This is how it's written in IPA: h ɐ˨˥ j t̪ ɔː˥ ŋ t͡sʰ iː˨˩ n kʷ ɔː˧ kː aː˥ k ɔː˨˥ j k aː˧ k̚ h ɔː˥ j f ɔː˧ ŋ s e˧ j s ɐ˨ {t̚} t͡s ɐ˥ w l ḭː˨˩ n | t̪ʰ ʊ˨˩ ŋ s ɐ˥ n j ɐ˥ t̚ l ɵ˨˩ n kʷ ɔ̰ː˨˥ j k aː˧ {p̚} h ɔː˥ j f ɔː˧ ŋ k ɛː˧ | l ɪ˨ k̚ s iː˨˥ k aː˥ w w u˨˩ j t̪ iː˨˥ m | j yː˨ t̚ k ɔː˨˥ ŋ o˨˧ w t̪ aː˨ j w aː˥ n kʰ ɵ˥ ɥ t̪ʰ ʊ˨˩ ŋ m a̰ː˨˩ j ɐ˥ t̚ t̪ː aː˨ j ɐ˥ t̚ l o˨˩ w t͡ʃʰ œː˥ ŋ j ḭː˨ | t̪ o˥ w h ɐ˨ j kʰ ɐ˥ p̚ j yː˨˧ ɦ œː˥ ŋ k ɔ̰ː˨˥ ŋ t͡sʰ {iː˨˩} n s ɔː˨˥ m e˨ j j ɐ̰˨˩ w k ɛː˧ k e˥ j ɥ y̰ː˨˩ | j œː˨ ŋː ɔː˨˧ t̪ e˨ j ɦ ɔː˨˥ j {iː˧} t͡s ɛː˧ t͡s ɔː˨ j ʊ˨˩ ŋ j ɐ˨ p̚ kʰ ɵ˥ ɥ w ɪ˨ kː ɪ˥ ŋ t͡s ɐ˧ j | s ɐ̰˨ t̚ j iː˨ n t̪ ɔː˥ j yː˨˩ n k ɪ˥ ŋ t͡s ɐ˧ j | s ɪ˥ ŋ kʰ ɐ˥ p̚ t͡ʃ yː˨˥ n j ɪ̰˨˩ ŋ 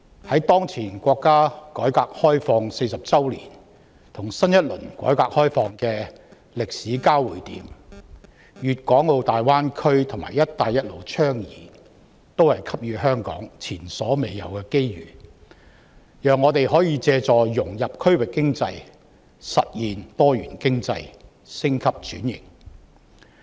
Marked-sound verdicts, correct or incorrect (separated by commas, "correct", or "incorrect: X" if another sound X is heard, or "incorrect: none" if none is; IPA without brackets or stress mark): incorrect: p̚, incorrect: k̚, correct, correct